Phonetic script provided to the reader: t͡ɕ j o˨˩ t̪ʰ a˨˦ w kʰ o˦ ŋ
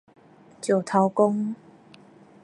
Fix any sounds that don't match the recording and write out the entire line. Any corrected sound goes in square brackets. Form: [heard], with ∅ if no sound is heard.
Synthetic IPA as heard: t͡ɕ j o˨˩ t̪ʰ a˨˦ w [k] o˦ ŋ